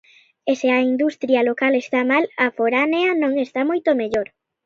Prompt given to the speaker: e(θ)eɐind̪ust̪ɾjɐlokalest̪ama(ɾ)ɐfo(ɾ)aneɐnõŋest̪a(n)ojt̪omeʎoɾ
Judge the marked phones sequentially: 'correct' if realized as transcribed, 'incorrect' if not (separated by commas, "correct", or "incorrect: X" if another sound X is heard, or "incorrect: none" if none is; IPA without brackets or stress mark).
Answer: incorrect: s, incorrect: l, correct, incorrect: m